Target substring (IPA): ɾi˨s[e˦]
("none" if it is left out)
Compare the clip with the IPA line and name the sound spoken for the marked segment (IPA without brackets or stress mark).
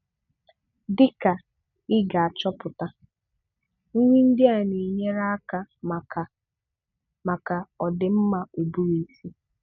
i˦